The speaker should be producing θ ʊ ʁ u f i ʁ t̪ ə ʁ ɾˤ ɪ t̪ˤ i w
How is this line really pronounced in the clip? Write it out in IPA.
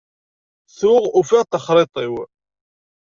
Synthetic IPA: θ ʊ ʁ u f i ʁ t̪ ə χ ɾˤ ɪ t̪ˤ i w